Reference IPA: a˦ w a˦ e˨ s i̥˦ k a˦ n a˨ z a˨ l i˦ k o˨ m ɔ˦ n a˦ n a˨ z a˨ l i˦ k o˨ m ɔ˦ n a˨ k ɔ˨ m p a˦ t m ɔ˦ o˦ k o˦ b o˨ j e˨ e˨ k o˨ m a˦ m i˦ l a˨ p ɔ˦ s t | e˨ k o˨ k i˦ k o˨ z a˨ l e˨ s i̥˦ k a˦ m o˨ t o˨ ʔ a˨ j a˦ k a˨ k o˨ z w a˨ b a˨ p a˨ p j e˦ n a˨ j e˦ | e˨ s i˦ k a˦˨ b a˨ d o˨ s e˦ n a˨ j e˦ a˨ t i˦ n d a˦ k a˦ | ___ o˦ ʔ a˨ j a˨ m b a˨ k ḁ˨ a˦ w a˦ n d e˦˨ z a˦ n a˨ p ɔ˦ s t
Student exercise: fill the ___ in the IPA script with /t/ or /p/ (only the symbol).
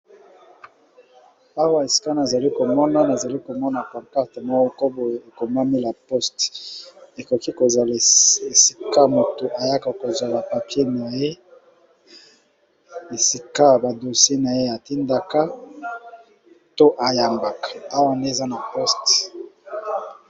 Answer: t